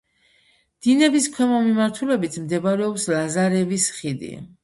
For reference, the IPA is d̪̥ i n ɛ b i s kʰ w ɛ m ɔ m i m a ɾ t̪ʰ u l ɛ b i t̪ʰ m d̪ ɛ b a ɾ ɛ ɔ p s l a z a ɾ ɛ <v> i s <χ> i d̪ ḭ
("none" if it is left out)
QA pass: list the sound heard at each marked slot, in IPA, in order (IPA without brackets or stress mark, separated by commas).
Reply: v, χ